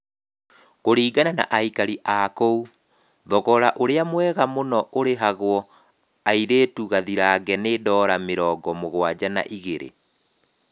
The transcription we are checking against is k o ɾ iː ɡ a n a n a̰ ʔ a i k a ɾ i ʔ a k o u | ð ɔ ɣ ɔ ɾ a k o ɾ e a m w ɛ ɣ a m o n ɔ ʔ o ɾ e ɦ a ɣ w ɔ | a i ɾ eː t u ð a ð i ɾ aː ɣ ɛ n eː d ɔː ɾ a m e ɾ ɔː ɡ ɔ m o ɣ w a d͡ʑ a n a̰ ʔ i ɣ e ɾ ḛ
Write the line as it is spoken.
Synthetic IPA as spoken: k o ɾ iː ɡ a n a n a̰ ʔ a i k a ɾ i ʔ a k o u | ð ɔ ɣ ɔ ɾ a ʔ o ɾ e a m w ɛ ɣ a m o n ɔ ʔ o ɾ e ɦ a ɣ w ɔ | a i ɾ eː t u ɣ a ð i ɾ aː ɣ ɛ n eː d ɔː ɾ a m e ɾ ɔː ɡ ɔ m o ɣ w a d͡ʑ a n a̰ ʔ i ɣ e ɾ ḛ